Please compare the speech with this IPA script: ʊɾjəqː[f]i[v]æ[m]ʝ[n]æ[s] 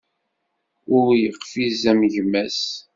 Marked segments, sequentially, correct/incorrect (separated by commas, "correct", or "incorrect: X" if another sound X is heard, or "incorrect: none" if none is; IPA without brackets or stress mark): correct, incorrect: z, correct, incorrect: m, correct